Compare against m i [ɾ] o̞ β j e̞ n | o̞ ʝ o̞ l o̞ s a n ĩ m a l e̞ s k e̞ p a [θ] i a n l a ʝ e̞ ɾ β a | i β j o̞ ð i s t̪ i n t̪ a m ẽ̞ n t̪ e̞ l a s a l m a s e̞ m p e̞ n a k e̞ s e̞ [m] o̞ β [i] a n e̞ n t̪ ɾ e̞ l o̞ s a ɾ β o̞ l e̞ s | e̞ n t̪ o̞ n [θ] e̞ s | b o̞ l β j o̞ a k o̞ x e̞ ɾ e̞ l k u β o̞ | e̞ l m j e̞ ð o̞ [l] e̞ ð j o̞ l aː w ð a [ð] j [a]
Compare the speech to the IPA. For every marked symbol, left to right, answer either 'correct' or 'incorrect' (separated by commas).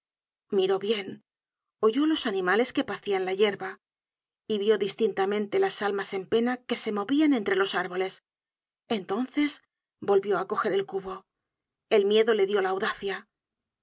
correct, correct, correct, correct, correct, correct, incorrect, correct